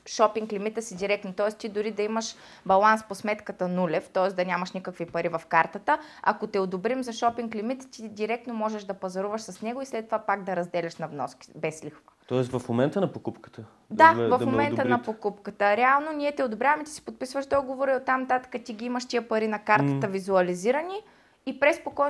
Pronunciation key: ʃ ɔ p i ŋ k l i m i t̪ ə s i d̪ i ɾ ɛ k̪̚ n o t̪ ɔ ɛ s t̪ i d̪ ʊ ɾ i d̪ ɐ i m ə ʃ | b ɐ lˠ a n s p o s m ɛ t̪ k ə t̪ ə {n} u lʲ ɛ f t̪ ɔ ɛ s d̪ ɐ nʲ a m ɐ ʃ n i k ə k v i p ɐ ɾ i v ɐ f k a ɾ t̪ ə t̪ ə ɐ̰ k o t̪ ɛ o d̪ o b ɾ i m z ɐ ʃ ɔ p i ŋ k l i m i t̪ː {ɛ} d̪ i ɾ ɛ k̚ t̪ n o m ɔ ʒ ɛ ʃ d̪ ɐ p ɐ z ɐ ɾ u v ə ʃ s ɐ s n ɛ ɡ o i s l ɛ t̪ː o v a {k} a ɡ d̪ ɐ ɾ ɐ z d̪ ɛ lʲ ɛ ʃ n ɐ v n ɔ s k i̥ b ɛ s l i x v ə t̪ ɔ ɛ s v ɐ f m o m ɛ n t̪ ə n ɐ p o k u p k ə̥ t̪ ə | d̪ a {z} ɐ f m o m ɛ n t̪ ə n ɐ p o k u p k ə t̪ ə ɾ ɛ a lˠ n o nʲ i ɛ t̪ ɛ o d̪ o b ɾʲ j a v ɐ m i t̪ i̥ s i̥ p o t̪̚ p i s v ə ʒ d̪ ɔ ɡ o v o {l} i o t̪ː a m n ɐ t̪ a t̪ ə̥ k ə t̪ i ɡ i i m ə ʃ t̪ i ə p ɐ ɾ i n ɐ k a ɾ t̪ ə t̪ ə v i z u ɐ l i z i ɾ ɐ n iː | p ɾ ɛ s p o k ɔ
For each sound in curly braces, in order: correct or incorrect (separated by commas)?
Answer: correct, incorrect, incorrect, incorrect, incorrect